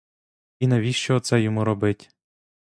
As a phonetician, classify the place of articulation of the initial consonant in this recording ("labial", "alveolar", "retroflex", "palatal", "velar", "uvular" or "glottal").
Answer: alveolar